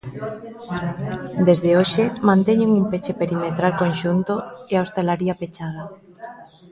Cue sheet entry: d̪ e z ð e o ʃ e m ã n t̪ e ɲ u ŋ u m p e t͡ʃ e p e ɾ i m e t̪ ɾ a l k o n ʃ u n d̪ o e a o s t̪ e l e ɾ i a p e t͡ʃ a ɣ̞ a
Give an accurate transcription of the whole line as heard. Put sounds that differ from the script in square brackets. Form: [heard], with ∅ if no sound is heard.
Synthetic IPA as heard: d̪ e z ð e o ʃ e m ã n t̪ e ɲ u ŋ u m p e t͡ʃ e p e ɾ i m e t̪ ɾ a l k o n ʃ u n [t̪] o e a o s t̪ e l [a] ɾ i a p e t͡ʃ a [ð̞] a